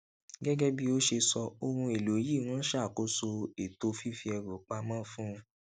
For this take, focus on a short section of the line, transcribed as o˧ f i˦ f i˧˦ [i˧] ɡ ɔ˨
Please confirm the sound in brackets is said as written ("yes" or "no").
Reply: no